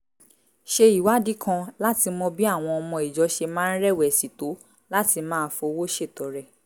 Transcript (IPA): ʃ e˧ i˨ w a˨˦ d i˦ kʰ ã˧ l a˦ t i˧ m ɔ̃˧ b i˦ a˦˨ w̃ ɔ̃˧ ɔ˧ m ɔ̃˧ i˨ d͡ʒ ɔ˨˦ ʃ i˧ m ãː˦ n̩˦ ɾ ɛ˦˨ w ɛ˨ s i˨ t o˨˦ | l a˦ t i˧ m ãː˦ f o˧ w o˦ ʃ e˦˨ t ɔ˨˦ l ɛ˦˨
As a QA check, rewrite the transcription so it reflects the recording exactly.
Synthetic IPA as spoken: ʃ e˧ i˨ w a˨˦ d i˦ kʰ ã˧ l a˦ t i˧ m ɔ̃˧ b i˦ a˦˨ w̃ ɔ̃˧ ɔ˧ m ɔ̃˧ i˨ d͡ʒ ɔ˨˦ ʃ e˧ m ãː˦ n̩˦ ɾ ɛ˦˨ w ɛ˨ s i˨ t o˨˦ | l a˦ t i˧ m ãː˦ f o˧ w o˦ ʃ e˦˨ t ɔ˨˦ ɾ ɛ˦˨